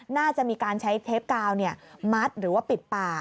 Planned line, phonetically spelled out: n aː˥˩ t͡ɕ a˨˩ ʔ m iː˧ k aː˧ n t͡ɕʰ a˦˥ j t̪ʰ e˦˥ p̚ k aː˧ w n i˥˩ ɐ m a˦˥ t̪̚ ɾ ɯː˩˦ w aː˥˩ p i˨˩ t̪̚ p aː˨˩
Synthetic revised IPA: n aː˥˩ t͡ɕ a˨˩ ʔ m iː˧ k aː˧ n t͡ɕʰ a˦˥ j t̪ʰ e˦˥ p̚ k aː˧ w n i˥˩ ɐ m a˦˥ t̪̚ ɾ ɯː˩˦ w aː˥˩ p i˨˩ t̪̚ p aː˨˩